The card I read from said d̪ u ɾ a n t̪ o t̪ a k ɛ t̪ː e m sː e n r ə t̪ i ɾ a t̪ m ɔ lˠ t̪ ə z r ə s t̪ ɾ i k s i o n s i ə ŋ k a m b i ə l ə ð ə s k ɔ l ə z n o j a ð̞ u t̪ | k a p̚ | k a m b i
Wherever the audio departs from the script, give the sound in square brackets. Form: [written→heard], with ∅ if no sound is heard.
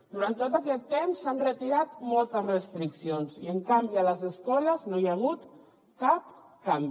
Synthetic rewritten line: d̪ u ɾ a n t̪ o t̪ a k ɛ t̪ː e m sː [e→a] n r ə t̪ i ɾ a t̪ m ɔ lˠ t̪ ə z r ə s t̪ ɾ i k s i o n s i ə ŋ k a m b i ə l ə [ð→z] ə s k ɔ l ə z n o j a [ð̞→ɣ̞] u t̪ | k a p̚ | k a m b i